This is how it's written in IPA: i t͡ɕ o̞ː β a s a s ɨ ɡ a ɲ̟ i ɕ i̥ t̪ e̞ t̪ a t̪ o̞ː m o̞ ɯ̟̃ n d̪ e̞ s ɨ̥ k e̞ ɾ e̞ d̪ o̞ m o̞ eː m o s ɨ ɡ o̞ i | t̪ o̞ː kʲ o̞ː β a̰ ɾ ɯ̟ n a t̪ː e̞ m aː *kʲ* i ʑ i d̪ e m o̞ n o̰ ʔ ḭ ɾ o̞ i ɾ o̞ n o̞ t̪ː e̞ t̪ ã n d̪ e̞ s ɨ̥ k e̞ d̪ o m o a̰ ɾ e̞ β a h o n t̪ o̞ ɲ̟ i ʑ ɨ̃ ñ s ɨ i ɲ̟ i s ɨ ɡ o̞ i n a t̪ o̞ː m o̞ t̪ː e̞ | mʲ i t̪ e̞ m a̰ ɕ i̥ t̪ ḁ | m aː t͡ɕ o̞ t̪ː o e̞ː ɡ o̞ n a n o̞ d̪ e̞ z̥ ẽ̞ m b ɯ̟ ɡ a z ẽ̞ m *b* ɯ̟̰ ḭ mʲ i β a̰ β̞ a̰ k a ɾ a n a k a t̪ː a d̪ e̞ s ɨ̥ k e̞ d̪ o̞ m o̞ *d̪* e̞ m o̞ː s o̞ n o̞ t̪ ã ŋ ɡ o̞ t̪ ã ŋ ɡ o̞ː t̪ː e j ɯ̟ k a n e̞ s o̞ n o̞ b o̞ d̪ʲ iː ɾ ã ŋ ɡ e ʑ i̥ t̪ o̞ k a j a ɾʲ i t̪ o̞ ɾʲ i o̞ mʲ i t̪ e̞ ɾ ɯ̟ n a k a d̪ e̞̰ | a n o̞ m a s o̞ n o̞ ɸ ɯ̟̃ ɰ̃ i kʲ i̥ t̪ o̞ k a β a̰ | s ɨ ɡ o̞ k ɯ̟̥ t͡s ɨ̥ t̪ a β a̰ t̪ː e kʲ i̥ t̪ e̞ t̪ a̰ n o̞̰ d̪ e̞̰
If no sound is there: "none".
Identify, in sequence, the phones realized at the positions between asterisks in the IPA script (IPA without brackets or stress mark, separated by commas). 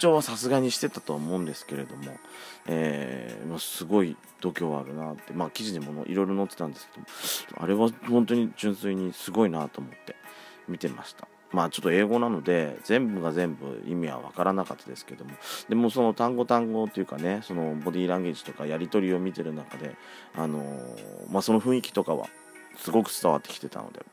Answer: kʲ, b, d̪